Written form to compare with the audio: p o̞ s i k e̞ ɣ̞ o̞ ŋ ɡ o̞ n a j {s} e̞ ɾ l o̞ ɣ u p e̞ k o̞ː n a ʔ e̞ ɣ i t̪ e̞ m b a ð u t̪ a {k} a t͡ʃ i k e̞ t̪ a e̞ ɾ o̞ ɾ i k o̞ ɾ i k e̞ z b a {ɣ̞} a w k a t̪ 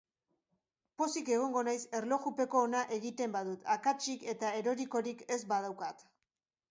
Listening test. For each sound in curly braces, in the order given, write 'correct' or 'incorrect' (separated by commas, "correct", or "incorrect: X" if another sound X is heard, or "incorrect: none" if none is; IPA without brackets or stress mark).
correct, correct, incorrect: ð̞